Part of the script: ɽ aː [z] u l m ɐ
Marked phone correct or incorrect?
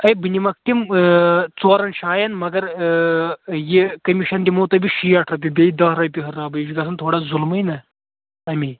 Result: correct